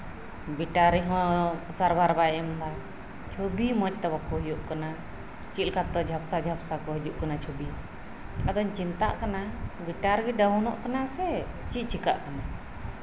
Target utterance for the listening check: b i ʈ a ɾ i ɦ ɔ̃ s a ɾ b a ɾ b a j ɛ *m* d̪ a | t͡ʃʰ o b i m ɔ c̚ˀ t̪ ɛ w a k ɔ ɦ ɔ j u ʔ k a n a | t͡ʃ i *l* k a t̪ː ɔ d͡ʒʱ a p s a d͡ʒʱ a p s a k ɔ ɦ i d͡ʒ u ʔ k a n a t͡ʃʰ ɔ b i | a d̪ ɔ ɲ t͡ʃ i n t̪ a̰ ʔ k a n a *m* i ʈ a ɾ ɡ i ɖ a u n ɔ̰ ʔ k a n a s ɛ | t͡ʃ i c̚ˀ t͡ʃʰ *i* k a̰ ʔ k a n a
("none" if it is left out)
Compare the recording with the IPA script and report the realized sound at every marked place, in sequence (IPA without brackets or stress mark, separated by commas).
m, l, b, i